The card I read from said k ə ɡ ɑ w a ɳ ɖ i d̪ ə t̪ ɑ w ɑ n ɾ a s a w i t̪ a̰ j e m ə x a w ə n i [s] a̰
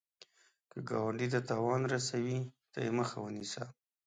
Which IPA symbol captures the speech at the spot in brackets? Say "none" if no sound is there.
s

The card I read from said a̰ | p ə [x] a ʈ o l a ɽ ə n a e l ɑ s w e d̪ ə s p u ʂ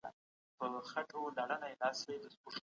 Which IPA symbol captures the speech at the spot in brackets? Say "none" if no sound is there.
x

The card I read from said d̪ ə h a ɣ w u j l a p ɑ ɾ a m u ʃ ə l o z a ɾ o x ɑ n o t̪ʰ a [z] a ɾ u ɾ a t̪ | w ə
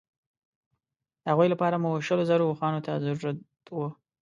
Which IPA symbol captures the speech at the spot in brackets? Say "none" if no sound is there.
z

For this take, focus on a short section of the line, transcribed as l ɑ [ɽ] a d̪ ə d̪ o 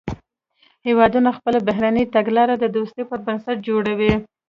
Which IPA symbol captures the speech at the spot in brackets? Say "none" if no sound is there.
ɾ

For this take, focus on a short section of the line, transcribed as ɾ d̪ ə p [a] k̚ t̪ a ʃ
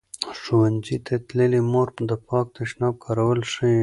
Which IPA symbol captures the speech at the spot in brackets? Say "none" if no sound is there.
ɑ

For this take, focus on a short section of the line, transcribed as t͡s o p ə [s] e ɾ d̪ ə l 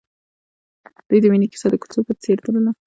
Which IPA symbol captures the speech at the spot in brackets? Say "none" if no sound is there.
t͡s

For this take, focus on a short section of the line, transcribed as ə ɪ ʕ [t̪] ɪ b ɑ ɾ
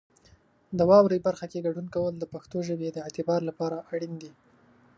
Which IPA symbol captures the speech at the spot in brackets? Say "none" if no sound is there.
t̪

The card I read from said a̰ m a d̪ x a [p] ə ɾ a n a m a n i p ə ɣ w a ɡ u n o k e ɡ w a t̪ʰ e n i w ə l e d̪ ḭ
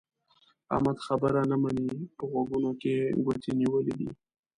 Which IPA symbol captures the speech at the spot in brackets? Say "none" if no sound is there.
b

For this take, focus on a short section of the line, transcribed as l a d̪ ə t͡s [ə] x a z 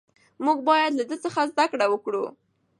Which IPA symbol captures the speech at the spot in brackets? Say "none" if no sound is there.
ə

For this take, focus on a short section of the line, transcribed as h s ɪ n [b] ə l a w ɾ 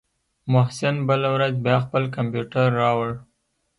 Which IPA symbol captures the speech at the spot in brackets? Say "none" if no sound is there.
b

